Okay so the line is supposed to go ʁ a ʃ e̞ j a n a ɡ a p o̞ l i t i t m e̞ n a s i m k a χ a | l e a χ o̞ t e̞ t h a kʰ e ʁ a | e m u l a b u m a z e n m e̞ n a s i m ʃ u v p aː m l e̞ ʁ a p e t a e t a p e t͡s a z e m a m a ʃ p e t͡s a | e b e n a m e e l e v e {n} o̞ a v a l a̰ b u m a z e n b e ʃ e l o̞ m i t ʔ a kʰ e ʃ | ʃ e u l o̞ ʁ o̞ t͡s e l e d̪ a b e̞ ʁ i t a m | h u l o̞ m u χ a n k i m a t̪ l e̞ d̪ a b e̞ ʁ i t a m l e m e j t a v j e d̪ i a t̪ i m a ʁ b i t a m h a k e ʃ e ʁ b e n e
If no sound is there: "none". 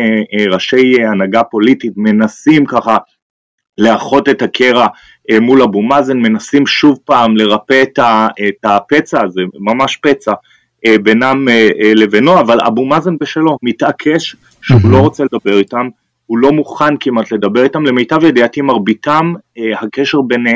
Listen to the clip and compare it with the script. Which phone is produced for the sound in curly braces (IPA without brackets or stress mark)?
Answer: n